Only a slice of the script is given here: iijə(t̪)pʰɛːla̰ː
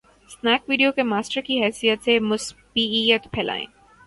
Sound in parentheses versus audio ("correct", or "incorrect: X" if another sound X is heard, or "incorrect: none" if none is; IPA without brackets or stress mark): correct